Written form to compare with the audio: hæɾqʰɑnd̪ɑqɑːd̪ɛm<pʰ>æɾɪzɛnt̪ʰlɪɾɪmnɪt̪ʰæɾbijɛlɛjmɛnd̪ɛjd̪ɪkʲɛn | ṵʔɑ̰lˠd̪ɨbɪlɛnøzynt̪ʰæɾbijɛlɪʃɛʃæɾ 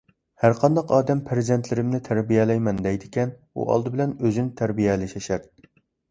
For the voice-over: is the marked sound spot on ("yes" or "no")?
yes